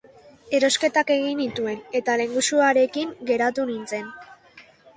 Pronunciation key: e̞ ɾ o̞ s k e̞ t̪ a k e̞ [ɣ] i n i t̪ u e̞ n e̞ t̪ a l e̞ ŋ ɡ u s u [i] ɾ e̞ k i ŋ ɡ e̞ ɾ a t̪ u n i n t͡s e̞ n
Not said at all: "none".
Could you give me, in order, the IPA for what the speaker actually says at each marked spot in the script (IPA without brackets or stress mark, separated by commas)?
ɣ, a